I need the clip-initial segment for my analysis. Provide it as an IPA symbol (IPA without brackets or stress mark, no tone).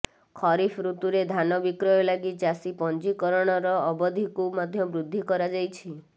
kʰ